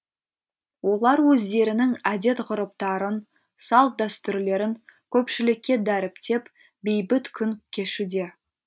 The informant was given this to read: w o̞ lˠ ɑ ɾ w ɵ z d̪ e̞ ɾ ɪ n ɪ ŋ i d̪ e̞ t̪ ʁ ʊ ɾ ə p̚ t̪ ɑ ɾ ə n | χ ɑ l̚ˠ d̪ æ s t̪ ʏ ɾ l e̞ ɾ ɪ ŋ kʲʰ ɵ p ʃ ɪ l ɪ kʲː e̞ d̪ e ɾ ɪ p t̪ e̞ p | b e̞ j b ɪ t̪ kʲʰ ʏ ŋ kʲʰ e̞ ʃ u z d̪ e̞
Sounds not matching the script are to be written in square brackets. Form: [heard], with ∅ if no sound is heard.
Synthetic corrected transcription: w o̞ lˠ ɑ ɾ w ɵ z d̪ e̞ ɾ ɪ n ɪ ŋ [æ] d̪ e̞ t̪ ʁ ʊ ɾ ə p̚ t̪ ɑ ɾ ə n | [s] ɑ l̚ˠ d̪ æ s t̪ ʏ ɾ l e̞ ɾ ɪ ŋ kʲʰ ɵ p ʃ ɪ l ɪ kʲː e̞ d̪ [æ] ɾ ɪ p t̪ e̞ p | b e̞ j b ɪ t̪ kʲʰ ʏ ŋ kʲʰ e̞ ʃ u [∅] d̪ e̞